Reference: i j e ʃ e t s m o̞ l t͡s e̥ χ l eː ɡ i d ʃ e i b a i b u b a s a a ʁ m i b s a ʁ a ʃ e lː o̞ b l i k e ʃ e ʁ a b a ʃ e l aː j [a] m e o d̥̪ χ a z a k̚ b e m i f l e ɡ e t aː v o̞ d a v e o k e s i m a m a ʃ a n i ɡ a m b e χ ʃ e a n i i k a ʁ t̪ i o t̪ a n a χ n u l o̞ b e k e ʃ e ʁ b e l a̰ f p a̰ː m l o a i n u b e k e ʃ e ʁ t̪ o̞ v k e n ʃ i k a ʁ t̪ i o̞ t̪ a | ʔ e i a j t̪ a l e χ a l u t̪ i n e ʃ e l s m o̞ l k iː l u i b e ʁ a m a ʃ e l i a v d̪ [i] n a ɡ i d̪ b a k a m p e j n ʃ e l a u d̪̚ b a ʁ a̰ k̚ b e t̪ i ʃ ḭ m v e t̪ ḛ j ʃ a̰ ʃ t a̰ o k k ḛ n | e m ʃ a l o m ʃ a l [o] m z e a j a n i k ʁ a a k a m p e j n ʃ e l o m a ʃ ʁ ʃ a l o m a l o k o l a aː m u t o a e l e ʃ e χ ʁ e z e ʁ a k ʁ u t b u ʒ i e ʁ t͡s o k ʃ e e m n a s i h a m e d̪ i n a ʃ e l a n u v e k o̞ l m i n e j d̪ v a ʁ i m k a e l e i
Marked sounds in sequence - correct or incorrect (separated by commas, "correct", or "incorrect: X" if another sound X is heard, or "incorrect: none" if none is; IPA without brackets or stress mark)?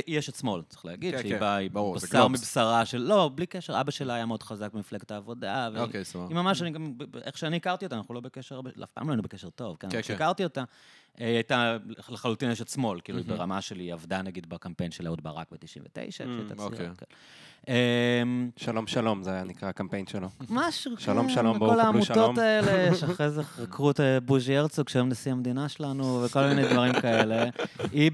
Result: correct, incorrect: a, correct